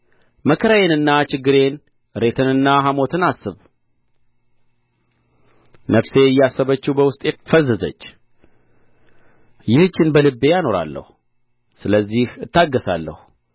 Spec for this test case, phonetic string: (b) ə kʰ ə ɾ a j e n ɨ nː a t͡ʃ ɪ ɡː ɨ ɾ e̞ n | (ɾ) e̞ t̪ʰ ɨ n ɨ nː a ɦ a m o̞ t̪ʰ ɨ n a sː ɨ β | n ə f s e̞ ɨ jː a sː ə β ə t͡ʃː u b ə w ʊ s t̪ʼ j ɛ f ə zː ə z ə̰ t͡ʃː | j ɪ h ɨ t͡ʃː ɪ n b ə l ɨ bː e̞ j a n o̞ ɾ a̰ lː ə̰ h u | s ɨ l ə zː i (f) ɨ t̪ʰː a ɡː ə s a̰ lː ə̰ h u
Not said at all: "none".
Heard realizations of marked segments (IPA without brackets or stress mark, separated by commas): m, ɾ, h